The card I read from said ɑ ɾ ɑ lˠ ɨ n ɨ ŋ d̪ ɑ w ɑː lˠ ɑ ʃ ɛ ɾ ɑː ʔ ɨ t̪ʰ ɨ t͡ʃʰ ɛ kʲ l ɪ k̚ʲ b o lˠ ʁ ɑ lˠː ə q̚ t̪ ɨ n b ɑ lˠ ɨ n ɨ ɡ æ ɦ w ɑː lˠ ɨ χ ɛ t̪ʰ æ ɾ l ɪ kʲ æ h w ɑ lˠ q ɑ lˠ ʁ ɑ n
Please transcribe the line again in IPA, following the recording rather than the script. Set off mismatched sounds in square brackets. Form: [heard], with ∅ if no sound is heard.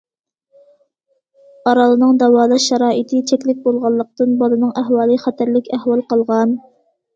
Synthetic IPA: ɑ ɾ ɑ lˠ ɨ n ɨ ŋ d̪ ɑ w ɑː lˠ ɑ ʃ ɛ ɾ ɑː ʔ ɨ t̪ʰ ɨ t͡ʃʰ ɛ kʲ l ɪ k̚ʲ b o lˠ ʁ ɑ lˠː ə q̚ t̪ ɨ n b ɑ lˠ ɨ n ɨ [ŋ] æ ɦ w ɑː lˠ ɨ χ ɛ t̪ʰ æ ɾ l ɪ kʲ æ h w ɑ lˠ q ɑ lˠ ʁ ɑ n

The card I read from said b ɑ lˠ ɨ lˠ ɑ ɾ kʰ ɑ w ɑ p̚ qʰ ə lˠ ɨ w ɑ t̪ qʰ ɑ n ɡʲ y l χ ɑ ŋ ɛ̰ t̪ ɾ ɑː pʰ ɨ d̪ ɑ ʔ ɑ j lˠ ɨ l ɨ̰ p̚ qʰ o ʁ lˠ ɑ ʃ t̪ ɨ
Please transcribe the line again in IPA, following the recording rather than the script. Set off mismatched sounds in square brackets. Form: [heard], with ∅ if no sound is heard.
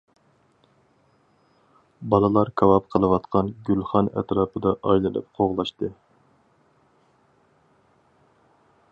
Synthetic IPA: b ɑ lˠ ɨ lˠ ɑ ɾ kʰ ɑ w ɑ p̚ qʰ ə lˠ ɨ w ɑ t̪ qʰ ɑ n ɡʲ y l χ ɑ [n] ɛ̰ t̪ ɾ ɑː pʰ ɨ d̪ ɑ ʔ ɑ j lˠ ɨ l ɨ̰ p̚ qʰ o ʁ lˠ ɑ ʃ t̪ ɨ

